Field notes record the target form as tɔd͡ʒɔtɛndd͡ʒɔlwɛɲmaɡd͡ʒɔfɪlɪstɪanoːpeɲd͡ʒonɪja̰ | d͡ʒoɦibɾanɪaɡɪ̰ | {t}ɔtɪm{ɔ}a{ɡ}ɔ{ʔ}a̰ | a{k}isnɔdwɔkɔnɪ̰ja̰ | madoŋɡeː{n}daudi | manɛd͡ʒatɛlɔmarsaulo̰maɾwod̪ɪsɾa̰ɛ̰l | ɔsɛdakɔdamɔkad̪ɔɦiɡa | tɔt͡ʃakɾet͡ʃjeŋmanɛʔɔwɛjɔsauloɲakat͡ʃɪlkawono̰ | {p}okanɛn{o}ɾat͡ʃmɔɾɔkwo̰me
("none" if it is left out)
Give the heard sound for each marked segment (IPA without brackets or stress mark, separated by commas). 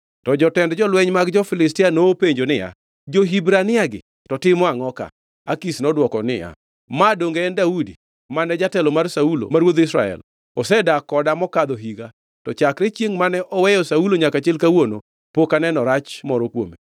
t, ɔ, ŋ, k, k, n, p, ɔ